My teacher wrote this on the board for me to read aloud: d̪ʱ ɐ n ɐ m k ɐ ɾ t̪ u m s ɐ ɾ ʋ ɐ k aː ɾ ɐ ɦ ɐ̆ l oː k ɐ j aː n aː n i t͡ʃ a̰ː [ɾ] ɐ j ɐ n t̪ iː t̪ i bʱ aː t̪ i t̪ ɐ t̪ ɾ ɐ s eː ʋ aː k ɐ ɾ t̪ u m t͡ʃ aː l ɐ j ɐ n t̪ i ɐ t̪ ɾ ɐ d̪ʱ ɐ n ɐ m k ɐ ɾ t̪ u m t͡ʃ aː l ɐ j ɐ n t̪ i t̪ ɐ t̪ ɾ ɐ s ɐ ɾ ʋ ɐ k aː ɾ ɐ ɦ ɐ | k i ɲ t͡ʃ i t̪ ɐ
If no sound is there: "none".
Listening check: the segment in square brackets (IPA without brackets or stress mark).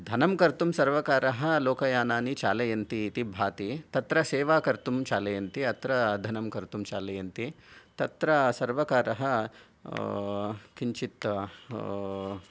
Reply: l